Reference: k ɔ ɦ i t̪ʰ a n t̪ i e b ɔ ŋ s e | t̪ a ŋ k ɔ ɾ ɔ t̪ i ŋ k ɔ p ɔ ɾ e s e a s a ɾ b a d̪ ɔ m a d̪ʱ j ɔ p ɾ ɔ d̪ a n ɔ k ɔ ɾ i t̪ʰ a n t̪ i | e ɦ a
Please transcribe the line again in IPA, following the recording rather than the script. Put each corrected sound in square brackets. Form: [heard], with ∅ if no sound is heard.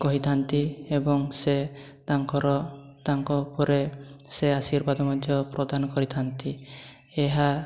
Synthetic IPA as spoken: k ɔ ɦ i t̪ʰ a n t̪ i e b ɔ ŋ s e | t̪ a ŋ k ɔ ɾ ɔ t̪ [a] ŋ k ɔ p ɔ ɾ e s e a s [i] ɾ b a d̪ ɔ m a d̪ʱ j ɔ p ɾ ɔ d̪ a n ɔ k ɔ ɾ i t̪ʰ a n t̪ i | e ɦ a

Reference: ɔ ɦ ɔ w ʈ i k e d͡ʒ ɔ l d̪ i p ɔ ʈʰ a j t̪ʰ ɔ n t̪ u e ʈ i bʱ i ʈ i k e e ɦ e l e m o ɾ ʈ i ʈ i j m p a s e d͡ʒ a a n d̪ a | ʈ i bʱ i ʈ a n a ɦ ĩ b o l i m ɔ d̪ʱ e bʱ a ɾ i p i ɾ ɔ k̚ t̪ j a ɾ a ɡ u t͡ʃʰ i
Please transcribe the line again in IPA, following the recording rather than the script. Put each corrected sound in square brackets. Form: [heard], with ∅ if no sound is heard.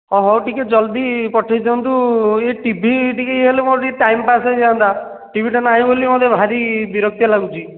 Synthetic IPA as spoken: ɔ ɦ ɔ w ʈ i k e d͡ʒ ɔ l d̪ i p ɔ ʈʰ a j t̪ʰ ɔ n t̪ u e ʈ i bʱ i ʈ i k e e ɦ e l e m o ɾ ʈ i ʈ [a] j m p a s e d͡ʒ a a n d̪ a | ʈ i bʱ i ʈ a n a ɦ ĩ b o l i m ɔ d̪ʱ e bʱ a ɾ i [b] i ɾ ɔ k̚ t̪ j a [l] a ɡ u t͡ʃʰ i

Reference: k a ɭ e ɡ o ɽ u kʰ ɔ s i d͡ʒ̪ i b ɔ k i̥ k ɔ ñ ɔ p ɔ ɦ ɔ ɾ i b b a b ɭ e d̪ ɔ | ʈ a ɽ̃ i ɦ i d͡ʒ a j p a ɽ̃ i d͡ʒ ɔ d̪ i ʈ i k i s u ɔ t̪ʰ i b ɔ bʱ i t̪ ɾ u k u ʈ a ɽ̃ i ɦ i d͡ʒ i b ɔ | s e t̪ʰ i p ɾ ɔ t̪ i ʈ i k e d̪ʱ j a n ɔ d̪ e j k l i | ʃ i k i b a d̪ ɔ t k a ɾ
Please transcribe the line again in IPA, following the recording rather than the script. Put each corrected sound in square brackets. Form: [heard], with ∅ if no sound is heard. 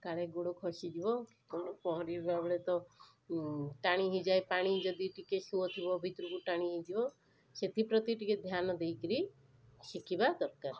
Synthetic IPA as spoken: k a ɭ e ɡ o ɽ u kʰ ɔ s i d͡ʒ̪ i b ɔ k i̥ k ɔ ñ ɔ p ɔ ɦ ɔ ɾ i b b a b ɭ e [t̪] ɔ | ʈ a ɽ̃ i ɦ i d͡ʒ a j p a ɽ̃ i d͡ʒ ɔ d̪ i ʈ i k [e] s u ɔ t̪ʰ i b ɔ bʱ i t̪ ɾ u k u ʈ a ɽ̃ i ɦ i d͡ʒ i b ɔ | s e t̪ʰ i p ɾ ɔ t̪ i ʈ i k e d̪ʱ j a n ɔ d̪ e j k [ɾ] i | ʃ i k i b a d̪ ɔ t k a ɾ

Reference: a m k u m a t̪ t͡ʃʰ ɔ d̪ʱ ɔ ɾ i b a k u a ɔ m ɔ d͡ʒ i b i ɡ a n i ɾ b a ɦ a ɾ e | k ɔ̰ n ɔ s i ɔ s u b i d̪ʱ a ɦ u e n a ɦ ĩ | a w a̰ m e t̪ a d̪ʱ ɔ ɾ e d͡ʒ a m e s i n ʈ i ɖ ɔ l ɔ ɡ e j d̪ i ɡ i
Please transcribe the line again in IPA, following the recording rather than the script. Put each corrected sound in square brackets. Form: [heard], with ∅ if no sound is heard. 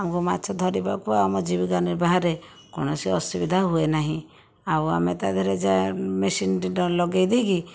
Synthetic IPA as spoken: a m k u m a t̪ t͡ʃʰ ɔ d̪ʱ ɔ ɾ i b a k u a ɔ m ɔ d͡ʒ i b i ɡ a n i ɾ b a ɦ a ɾ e | k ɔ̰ n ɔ s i ɔ s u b i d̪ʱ a ɦ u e n a ɦ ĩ | a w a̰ m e t̪ a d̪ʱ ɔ ɾ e d͡ʒ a m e s i n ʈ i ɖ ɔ l ɔ ɡ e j d̪ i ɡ i

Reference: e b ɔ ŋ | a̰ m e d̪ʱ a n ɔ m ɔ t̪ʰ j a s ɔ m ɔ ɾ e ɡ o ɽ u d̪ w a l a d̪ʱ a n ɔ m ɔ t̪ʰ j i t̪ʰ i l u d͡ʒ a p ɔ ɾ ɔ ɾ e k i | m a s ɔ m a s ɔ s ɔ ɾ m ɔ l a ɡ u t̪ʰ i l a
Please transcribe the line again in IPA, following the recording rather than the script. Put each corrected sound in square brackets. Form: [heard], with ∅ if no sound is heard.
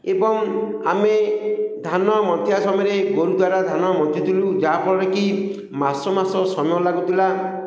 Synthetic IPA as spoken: e b ɔ ŋ | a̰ m e d̪ʱ a n ɔ m ɔ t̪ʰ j a s ɔ m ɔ ɾ e ɡ o [ɾ] u d̪ w a [ɾ] a d̪ʱ a n ɔ m ɔ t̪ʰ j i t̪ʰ i l u d͡ʒ a p ɔ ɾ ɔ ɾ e k i | m a s ɔ m a s ɔ s ɔ [∅] m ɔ l a ɡ u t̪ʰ i l a

